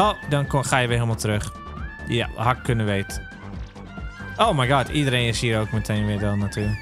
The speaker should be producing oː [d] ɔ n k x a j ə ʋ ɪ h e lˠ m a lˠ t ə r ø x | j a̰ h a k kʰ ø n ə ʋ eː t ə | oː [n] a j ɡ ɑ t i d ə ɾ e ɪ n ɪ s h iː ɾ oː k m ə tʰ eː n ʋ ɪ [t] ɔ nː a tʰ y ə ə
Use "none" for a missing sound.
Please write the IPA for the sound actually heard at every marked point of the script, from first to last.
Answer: d, m, d

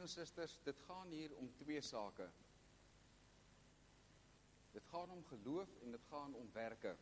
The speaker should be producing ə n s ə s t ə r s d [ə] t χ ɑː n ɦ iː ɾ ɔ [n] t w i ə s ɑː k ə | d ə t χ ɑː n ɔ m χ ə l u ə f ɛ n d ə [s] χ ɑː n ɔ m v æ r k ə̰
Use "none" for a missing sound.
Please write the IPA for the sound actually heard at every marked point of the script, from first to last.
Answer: ə, m, t

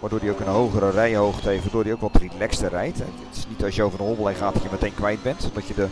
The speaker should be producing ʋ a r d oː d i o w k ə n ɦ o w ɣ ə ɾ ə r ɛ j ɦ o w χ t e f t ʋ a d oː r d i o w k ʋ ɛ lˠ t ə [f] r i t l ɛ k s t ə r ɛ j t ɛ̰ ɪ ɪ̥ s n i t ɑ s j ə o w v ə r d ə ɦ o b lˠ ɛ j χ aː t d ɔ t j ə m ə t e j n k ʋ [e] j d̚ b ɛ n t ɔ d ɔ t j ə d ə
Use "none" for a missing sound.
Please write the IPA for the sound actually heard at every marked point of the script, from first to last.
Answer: none, ɛ

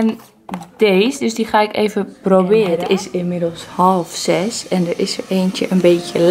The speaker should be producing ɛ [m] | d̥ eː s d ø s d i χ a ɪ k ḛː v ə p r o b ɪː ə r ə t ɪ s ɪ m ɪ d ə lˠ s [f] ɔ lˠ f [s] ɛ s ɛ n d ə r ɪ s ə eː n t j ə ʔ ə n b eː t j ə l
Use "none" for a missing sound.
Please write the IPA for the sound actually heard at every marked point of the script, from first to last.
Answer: n, h, s

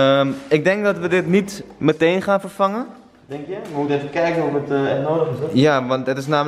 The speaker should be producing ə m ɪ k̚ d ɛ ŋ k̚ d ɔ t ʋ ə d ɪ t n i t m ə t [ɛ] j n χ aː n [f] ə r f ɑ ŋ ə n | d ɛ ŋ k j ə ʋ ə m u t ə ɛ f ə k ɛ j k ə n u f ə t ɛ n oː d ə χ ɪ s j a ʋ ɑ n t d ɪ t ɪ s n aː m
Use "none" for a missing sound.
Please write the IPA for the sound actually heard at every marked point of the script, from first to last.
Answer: e, f

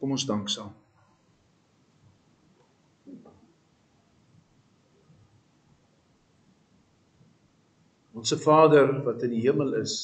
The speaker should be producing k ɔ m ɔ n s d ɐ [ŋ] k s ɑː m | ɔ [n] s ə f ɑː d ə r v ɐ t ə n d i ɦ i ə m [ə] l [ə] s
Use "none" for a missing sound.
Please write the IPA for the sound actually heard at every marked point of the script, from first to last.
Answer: ŋ, n, ə, ə

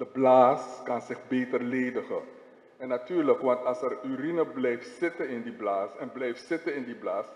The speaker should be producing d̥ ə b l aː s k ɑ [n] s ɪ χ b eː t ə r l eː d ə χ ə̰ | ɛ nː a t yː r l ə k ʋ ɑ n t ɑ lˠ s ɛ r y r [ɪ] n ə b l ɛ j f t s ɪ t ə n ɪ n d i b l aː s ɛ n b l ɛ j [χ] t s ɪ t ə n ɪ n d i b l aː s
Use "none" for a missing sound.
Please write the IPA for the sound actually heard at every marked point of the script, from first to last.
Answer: n, i, f

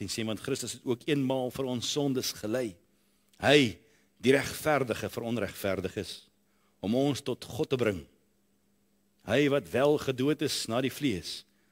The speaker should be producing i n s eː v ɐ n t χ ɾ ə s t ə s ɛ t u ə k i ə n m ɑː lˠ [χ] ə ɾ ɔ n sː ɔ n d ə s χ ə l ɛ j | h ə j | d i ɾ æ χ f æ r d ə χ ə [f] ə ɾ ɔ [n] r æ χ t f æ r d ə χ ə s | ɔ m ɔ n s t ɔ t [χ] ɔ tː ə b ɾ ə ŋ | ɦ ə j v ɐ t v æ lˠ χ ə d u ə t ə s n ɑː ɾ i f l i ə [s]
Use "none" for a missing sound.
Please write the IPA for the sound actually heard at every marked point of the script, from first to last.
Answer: f, f, n, χ, s

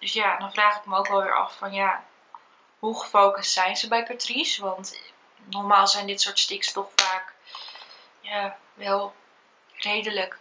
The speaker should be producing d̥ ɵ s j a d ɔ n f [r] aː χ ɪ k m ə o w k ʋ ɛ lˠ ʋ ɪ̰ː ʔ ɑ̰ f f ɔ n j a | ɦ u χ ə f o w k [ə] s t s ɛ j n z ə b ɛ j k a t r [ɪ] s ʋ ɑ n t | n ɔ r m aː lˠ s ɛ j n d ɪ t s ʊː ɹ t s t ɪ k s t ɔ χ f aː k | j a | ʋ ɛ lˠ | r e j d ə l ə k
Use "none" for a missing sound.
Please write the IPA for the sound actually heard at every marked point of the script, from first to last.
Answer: r, ə, i

